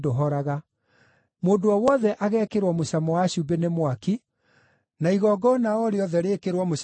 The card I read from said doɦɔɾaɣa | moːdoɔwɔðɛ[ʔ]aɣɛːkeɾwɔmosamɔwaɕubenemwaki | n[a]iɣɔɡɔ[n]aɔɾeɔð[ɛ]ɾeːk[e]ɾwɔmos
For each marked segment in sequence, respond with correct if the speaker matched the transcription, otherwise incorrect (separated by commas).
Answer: correct, correct, correct, correct, correct